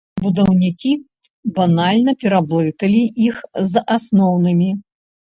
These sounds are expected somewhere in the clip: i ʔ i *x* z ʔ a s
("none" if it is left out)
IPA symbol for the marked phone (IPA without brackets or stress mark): x